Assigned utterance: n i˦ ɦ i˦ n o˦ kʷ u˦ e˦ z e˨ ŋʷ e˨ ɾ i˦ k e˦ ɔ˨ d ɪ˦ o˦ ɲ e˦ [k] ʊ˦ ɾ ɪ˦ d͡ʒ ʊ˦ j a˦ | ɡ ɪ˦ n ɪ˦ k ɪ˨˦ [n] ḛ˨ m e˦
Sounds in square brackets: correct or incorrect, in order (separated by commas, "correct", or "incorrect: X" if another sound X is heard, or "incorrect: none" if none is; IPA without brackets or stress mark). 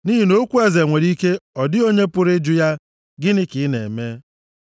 incorrect: p, correct